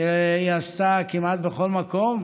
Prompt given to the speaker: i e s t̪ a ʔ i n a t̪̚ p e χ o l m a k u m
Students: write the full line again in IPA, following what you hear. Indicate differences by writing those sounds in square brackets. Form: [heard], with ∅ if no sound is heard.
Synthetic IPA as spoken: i [a] s t̪ a [k] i [m] a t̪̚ [b] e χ o l m a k [o] m